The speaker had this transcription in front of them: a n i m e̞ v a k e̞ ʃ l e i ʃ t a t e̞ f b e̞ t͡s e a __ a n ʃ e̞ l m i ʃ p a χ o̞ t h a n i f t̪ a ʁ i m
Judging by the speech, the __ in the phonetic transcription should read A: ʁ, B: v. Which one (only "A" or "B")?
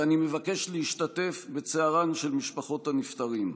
A